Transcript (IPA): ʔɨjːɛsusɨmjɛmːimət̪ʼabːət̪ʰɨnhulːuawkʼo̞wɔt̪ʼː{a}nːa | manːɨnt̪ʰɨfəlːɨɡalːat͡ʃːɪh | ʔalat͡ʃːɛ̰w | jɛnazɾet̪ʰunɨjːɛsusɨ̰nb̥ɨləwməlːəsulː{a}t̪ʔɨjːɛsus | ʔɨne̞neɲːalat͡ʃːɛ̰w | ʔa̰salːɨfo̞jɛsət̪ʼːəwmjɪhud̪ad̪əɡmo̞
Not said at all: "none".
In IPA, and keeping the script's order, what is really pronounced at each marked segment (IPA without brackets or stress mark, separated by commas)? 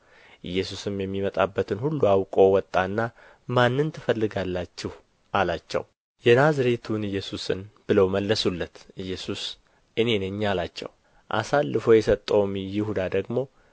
a, ə